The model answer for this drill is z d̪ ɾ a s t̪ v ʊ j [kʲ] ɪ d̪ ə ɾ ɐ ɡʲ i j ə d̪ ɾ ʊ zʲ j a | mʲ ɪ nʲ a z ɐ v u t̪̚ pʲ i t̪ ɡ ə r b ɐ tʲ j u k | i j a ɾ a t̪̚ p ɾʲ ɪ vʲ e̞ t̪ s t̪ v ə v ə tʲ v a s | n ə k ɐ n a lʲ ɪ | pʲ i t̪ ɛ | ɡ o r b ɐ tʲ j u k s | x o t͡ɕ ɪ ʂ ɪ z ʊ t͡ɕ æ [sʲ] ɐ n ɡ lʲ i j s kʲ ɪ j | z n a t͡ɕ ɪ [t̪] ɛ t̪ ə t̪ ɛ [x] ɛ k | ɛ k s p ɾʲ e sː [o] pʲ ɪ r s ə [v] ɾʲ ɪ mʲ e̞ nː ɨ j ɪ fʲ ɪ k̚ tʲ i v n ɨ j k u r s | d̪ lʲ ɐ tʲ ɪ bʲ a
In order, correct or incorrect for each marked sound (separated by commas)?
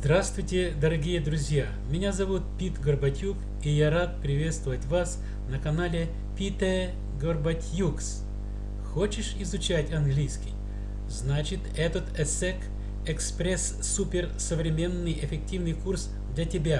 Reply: incorrect, incorrect, correct, incorrect, incorrect, correct